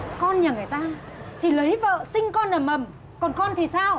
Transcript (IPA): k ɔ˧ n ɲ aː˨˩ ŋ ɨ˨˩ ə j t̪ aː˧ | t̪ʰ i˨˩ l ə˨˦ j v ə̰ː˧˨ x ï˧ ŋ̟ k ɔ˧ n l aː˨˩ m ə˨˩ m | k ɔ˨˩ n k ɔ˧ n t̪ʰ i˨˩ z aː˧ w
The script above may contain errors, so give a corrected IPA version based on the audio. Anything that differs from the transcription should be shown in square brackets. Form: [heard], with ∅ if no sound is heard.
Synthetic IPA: k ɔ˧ n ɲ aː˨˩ ŋ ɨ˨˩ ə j t̪ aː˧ | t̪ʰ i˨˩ l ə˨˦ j v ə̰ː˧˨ [s] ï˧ ŋ̟ k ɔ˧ n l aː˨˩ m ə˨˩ m | k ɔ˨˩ n k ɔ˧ n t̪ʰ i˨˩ [s] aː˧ w